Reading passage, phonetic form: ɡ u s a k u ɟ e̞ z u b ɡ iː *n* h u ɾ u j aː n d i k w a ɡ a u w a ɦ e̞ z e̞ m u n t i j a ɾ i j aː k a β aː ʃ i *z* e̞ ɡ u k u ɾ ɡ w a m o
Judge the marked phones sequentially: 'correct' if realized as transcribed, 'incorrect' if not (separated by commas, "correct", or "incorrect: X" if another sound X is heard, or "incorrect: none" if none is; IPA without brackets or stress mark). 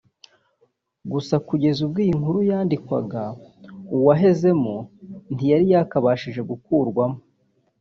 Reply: incorrect: ŋ, incorrect: ʒ